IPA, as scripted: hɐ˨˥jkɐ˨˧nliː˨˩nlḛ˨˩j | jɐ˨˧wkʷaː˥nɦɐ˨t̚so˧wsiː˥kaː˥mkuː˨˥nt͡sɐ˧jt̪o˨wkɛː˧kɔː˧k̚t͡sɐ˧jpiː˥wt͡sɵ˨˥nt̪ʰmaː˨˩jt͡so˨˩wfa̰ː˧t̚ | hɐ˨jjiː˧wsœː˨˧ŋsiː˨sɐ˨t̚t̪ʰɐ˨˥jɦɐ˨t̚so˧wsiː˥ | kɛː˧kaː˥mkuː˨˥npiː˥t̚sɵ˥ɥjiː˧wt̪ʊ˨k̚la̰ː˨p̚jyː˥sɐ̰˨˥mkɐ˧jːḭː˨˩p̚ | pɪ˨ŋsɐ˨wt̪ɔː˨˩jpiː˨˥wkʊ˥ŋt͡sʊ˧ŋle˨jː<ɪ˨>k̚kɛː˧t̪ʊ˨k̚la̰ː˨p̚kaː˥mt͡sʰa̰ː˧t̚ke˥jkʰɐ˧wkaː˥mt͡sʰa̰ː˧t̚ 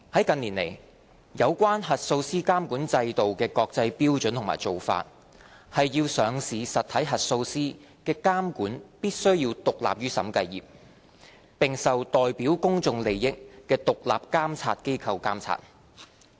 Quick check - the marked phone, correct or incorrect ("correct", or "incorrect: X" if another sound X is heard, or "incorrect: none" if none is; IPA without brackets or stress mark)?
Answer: incorrect: ɪ˥